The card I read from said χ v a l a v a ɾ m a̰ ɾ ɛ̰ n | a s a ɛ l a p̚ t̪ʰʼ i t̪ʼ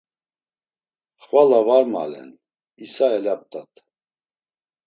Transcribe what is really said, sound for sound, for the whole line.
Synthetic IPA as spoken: χ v a l a v a ɾ m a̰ l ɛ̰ n | i s a ɛ l a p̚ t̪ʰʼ a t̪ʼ